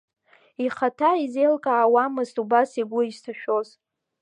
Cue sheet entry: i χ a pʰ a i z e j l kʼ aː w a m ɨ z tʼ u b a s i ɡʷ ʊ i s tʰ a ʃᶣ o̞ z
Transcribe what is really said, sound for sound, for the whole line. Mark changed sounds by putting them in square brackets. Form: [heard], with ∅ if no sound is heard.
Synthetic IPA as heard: i χ a [tʰ] a i z e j l kʼ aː w a m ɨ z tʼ u b a s i ɡʷ ʊ i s tʰ a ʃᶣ o̞ z

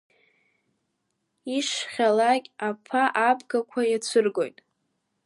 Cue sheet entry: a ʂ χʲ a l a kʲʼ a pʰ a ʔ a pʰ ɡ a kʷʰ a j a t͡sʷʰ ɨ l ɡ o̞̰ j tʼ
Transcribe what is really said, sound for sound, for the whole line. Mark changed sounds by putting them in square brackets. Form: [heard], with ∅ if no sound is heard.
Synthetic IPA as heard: [i] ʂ χʲ a l a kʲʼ a pʰ a ʔ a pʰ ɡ a kʷʰ a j a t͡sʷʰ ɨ [r] ɡ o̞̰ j tʼ

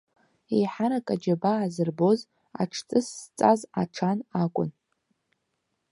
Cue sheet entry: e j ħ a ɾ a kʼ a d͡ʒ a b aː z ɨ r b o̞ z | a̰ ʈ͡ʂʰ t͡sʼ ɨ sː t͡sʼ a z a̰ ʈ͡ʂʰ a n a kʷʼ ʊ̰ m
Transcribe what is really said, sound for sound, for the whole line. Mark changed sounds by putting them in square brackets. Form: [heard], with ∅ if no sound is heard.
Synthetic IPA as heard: e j ħ a ɾ a kʼ a d͡ʒ a b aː z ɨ r b o̞ z | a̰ ʈ͡ʂʰ t͡sʼ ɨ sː t͡sʼ a z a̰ ʈ͡ʂʰ a n a kʷʼ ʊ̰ [n]

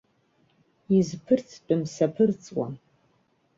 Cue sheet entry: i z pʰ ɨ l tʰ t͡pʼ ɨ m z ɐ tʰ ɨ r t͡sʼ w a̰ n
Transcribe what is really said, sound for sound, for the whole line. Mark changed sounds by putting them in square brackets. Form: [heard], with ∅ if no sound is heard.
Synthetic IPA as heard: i z pʰ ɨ [r] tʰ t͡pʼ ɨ m [s] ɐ [pʰ] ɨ r t͡sʼ w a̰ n

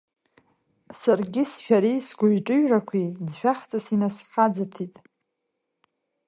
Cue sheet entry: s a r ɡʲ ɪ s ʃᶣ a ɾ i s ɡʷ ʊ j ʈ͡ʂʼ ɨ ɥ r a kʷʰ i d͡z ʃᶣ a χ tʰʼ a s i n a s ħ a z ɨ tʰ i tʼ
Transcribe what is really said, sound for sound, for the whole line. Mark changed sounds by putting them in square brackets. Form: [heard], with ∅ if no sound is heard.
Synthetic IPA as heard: s a r ɡʲ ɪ s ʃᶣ a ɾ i s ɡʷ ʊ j ʈ͡ʂʼ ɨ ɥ r a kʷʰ i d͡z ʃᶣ a χ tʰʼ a s i n a s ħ a [d͡z] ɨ tʰ i tʼ

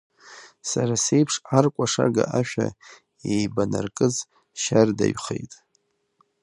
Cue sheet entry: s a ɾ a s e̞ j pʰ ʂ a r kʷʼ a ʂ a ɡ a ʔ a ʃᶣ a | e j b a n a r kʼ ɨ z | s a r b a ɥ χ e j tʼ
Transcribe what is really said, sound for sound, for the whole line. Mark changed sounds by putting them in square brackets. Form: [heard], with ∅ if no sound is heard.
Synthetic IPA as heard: s a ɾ a s e̞ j pʰ ʂ a r kʷʼ a ʂ a ɡ a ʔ a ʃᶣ a | e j b a n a r kʼ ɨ z | [ʃ] a r [d] a ɥ χ e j tʼ

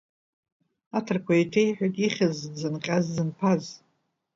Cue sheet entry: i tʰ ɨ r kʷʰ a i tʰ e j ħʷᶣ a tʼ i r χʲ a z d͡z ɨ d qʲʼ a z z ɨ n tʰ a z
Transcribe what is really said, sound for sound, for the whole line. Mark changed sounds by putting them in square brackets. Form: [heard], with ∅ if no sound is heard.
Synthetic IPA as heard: [a] tʰ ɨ r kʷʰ a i tʰ e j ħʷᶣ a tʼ i [∅] χʲ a z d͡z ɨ [n] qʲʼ a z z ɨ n [pʰ] a z

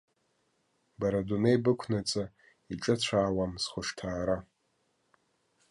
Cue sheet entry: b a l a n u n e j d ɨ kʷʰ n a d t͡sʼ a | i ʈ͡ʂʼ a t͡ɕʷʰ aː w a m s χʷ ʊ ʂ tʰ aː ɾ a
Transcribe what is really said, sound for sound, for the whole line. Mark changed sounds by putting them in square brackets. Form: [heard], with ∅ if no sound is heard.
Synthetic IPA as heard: b a [ɾ] a [d] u n e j [b] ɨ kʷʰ n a [∅] t͡sʼ a | i ʈ͡ʂʼ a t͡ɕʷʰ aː w a m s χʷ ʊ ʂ tʰ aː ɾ a

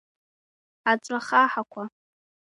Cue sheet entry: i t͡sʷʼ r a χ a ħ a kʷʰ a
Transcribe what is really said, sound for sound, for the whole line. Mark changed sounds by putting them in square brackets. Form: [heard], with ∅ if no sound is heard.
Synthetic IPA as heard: [a] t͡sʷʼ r a χ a ħ a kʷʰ a

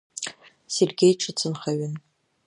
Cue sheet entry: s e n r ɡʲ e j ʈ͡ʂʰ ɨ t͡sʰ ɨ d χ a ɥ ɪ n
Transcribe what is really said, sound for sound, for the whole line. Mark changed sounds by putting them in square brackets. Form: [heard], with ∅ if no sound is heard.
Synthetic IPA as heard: s e [∅] r ɡʲ e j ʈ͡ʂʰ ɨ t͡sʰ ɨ [n] χ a ɥ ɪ n

